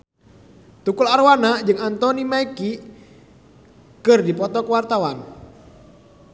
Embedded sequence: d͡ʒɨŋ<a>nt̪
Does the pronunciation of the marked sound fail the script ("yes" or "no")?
no